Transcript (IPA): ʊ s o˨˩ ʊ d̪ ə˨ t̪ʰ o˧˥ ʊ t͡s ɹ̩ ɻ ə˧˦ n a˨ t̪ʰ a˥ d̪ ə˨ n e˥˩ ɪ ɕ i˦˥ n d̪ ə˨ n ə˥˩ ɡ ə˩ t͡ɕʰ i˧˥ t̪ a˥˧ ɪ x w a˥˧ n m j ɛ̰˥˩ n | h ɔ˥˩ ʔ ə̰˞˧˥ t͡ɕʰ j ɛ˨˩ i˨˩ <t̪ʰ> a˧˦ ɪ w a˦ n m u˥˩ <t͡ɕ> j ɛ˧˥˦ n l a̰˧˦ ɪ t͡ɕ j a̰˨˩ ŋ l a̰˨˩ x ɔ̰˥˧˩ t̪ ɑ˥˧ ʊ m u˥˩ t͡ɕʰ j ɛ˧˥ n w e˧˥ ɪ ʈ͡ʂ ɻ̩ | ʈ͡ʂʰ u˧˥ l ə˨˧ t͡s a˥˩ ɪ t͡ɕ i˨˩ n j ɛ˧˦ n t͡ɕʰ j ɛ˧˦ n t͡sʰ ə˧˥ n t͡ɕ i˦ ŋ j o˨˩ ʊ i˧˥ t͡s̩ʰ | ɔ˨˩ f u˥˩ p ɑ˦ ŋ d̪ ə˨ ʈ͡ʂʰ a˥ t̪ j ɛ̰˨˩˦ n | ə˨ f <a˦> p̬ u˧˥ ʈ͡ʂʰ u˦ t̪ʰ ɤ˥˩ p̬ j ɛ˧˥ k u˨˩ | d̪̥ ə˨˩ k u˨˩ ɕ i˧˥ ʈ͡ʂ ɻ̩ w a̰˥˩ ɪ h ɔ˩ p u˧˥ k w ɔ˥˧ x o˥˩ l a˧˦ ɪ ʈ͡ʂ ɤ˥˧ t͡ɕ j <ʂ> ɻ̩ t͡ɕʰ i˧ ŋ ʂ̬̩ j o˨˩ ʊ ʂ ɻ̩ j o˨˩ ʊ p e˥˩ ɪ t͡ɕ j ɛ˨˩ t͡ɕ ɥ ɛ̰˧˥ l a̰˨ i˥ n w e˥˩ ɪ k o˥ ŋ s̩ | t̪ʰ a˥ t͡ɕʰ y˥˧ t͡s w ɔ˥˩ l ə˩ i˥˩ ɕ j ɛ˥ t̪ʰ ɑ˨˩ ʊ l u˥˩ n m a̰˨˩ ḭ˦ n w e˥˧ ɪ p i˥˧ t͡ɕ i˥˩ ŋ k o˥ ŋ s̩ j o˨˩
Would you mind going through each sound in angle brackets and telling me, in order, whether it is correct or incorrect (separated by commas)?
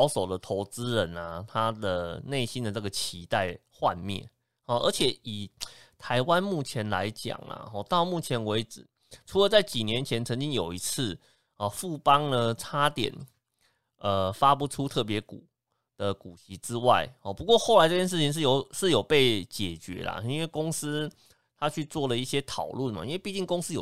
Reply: correct, incorrect, correct, correct